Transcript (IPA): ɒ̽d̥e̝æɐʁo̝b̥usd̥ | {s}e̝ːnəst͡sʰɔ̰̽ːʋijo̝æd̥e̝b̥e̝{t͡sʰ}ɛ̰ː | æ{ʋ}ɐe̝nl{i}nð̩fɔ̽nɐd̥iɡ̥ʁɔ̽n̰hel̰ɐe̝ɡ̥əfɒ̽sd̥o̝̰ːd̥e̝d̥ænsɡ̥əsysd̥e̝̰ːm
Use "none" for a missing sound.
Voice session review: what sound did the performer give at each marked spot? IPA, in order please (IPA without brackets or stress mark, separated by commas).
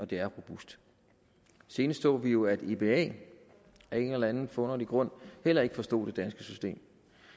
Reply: s, none, none, æ